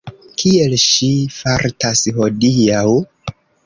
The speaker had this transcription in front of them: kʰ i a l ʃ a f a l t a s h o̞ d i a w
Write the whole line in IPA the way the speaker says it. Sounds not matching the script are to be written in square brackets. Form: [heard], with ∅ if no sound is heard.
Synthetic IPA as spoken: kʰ i [e] l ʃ [i] f a [ɾ] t a s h o̞ d i a w